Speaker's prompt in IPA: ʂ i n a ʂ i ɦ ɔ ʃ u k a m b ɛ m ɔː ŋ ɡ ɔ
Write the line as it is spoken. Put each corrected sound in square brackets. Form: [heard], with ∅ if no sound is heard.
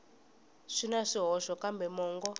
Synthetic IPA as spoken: ʂ i n a ʂ i ɦ ɔ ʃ [ɔ] k a m b ɛ m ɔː ŋ ɡ ɔ